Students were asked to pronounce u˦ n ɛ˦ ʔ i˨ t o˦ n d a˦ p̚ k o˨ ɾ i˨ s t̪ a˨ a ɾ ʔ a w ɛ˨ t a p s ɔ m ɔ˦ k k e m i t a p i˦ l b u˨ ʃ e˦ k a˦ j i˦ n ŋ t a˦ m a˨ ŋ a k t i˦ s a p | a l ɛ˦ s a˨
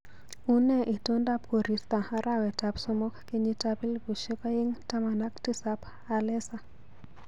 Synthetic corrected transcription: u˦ n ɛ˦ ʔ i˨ t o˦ n d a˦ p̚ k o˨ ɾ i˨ s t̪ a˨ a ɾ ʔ a w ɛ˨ t a p s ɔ m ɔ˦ k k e ɲ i t a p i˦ l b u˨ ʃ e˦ k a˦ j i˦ ŋ t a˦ m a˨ n a k t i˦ s a p | a l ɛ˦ s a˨